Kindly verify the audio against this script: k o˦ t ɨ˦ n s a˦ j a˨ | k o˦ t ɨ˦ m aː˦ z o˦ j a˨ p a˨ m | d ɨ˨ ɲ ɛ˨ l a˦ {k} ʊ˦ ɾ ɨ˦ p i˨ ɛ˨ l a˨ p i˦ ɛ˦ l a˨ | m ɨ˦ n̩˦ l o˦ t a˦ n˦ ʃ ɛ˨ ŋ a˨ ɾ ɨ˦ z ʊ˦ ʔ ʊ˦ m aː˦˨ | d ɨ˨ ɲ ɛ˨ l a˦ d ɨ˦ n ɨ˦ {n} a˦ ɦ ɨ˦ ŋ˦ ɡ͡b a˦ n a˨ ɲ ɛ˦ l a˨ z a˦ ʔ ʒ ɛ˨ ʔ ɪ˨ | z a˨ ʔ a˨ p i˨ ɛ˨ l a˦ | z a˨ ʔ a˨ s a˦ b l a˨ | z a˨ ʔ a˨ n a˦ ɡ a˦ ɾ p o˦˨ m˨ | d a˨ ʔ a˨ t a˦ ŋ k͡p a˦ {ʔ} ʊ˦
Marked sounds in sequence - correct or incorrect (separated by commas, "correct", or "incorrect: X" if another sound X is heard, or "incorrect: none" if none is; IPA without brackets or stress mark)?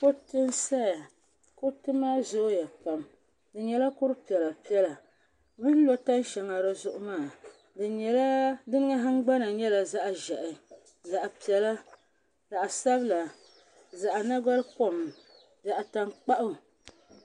correct, incorrect: ŋ, correct